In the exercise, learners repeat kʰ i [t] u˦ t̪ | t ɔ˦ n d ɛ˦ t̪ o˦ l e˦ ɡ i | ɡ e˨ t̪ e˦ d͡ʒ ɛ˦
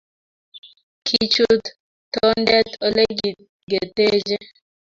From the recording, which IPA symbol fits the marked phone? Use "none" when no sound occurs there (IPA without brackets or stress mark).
t͡ʃ